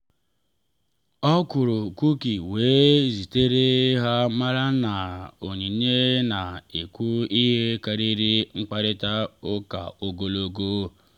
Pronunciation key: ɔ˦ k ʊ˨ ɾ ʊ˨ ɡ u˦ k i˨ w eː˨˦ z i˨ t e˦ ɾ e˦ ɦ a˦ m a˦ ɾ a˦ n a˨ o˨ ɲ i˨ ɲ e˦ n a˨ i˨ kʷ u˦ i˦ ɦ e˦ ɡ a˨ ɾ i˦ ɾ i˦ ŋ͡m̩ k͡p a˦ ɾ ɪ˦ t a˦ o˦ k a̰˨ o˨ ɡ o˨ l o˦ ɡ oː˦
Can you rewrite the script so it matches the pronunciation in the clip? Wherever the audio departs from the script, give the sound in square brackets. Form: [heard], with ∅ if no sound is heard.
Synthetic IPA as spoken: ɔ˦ k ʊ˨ ɾ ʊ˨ [k] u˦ k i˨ w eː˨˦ z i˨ t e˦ ɾ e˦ ɦ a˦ m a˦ ɾ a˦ n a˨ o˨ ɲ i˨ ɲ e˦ n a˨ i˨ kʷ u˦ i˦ ɦ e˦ [k] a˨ ɾ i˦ ɾ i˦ ŋ͡m̩ k͡p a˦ ɾ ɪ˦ t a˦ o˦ k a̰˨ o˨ ɡ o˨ l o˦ ɡ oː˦